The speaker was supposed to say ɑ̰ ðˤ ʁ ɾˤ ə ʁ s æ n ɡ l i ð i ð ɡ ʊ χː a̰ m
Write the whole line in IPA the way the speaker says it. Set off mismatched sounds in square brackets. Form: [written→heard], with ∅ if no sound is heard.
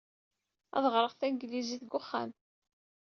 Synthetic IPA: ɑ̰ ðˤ ʁ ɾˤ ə ʁ [s→θ] æ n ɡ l i [ð→z] i [ð→θ] ɡ ʊ χː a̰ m